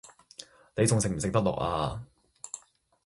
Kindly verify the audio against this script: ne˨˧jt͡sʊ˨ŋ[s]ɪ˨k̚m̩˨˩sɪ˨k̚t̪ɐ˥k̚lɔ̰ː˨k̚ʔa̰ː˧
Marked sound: correct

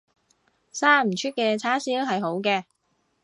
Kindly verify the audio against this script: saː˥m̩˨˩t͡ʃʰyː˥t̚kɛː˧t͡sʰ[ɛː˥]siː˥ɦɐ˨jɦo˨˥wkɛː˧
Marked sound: incorrect: aː˥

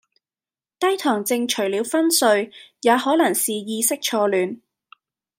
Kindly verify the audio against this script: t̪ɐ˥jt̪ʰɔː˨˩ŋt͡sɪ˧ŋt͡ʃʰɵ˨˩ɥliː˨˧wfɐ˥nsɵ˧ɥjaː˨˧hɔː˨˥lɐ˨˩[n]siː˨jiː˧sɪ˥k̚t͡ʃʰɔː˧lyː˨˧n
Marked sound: incorrect: ŋ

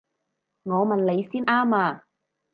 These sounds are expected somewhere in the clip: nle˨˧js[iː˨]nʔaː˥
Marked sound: incorrect: iː˥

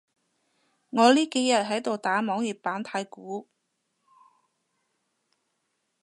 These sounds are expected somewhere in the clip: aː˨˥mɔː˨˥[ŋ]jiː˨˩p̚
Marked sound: correct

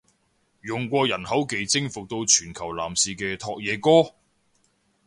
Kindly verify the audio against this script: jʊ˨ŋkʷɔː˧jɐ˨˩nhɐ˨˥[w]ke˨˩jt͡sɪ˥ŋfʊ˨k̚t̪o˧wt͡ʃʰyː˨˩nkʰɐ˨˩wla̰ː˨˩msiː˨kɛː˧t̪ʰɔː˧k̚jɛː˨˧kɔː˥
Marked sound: correct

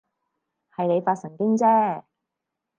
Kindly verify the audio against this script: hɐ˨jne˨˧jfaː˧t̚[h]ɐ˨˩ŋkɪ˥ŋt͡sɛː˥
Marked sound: incorrect: s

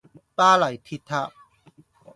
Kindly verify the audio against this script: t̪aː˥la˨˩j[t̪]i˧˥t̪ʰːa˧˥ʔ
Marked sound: incorrect: t̪ʰ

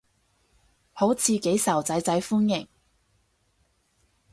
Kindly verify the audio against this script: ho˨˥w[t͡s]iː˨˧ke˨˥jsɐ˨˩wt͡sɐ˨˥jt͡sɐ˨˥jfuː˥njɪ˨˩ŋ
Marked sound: incorrect: t͡sʰ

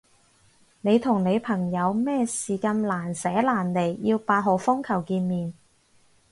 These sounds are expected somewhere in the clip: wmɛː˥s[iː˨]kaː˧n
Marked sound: correct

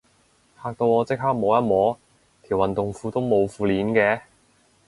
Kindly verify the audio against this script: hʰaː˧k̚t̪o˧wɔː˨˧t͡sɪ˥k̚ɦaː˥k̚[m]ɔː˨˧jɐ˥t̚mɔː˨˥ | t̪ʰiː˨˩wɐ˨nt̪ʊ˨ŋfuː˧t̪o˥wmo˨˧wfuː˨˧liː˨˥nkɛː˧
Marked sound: correct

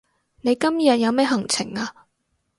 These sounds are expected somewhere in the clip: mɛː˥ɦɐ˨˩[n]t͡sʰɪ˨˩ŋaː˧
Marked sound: incorrect: ŋ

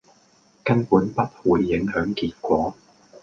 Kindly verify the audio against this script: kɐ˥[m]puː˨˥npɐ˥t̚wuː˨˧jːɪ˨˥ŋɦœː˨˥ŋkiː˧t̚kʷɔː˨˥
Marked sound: incorrect: n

